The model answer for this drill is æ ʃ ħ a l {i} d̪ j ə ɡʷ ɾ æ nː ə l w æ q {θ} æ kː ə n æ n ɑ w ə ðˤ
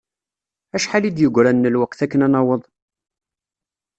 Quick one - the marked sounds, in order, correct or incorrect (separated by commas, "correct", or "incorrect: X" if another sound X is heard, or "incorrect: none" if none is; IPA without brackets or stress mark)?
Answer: correct, correct